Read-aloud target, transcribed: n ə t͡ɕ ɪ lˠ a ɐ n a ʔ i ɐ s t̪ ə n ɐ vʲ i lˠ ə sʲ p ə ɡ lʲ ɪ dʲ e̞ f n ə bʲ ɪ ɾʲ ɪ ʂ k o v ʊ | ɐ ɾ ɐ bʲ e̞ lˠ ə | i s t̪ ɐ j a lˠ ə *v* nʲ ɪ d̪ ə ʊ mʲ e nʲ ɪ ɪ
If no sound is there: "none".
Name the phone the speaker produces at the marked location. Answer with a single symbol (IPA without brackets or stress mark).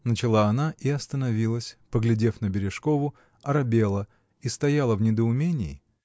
v